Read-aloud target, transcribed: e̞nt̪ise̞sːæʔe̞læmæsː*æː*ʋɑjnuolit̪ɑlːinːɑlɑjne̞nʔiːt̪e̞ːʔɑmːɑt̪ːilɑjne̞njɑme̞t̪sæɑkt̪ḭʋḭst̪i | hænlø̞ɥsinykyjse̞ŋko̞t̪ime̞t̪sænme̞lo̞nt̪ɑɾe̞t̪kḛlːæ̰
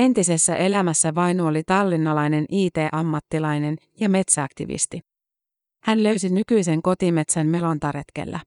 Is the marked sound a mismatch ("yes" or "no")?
yes